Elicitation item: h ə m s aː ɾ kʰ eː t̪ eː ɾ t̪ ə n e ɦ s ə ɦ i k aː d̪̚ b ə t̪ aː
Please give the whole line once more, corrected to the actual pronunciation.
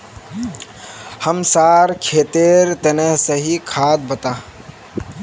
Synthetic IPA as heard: h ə m s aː ɾ kʰ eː t̪ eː ɾ t̪ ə n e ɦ s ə ɦ i kʰ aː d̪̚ b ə t̪ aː